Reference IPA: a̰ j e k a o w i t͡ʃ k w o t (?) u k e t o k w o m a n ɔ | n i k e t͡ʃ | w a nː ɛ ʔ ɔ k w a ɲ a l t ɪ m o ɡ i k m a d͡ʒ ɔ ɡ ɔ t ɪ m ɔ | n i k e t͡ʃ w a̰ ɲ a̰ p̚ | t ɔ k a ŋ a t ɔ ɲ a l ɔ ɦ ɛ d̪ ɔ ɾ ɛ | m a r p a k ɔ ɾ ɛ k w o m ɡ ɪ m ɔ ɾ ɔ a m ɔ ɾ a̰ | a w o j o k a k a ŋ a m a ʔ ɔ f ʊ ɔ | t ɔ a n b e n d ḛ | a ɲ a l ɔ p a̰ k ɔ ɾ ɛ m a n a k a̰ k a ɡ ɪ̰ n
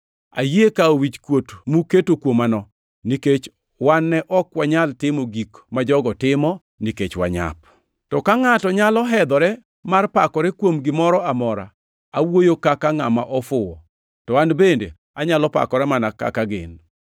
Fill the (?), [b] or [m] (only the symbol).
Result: m